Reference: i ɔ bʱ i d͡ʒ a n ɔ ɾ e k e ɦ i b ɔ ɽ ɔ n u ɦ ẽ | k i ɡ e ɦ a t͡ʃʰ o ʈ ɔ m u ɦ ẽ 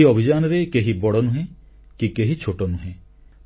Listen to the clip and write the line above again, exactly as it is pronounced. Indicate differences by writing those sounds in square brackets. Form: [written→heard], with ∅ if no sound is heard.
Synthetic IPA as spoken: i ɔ bʱ i d͡ʒ a n ɔ ɾ e k e ɦ i b ɔ ɽ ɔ n u ɦ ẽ | k i [ɡ→k] e ɦ [a→i] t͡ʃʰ o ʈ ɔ [m→n] u ɦ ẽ